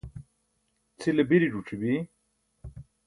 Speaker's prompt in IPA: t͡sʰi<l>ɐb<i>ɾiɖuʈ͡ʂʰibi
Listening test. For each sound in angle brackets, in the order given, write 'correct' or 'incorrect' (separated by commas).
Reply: correct, correct